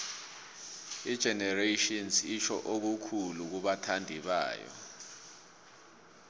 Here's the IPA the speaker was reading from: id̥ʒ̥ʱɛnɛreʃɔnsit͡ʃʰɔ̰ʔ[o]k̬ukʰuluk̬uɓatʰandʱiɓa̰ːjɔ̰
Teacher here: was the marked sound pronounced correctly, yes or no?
yes